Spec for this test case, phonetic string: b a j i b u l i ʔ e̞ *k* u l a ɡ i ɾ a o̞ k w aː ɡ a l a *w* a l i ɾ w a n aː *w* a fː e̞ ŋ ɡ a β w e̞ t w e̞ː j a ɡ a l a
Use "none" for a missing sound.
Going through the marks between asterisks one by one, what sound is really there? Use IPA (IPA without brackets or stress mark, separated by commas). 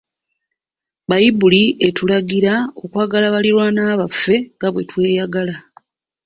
t, β, β